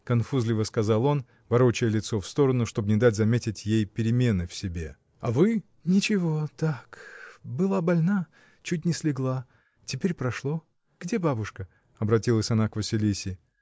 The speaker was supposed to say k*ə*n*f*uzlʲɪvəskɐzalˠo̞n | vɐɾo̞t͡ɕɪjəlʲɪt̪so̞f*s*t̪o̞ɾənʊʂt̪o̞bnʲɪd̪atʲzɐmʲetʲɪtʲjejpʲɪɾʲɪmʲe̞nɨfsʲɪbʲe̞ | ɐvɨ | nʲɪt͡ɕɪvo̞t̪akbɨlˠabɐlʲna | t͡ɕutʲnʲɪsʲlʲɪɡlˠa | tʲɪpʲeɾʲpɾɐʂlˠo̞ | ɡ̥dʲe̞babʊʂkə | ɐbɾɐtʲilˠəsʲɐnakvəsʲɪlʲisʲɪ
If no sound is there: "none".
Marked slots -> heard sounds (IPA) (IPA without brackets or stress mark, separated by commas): ɐ, f, s